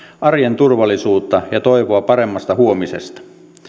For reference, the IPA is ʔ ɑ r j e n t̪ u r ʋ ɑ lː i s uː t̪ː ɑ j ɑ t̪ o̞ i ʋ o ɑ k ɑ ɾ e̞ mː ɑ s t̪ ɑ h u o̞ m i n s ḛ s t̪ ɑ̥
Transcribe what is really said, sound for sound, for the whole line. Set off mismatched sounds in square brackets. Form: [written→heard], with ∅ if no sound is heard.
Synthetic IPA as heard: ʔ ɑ r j e n t̪ u r ʋ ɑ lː i s uː t̪ː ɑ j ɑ t̪ o̞ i ʋ o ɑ [k→p] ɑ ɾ e̞ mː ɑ s t̪ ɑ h u o̞ m i [n→∅] s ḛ s t̪ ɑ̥